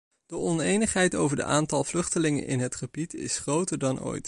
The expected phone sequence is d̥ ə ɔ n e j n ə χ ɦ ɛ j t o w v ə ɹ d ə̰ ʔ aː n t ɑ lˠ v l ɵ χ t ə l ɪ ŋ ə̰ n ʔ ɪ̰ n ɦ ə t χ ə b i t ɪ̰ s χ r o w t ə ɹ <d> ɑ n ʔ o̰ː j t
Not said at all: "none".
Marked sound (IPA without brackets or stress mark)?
d